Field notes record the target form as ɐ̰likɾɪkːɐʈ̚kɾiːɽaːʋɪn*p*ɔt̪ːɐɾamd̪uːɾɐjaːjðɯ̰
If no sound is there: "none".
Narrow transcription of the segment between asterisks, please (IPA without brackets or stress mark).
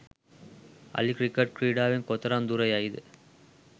k